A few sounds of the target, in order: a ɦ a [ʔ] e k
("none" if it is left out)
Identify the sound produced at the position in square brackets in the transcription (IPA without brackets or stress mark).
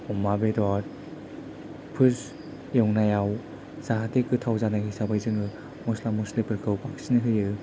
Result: t